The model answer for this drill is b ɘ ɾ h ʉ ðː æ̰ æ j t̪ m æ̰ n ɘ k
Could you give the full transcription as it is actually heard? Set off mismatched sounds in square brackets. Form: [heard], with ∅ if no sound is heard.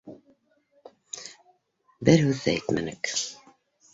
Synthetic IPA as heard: b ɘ ɾ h ʉ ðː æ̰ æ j t̪ m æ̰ n ɘ k